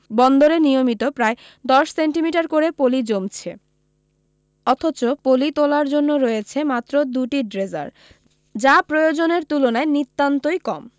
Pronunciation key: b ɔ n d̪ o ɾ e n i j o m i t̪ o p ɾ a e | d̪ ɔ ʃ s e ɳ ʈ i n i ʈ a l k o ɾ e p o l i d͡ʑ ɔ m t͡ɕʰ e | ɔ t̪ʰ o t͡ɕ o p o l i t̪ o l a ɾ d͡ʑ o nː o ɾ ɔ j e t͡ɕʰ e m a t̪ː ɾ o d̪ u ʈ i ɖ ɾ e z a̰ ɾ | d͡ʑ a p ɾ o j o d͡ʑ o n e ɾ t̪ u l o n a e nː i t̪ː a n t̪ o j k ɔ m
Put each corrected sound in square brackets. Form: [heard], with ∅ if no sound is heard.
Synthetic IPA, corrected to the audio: b ɔ n d̪ o ɾ e n i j o m i t̪ o p ɾ a e | d̪ ɔ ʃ s e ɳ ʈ i [m] i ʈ a [ɾ] k o ɾ e p o l i d͡ʑ [o] m t͡ɕʰ e | ɔ t̪ʰ o t͡ɕ o p o l i t̪ o l a ɾ d͡ʑ o nː o ɾ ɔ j e t͡ɕʰ e m a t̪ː ɾ o d̪ u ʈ i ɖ ɾ e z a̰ ɾ | d͡ʑ a p ɾ o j o d͡ʑ o n e ɾ t̪ u l o n a e [n] i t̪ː a n t̪ o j k ɔ m